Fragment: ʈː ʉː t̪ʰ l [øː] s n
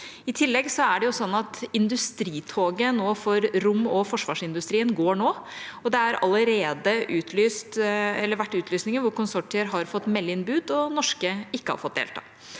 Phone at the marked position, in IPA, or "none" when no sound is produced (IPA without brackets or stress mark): yː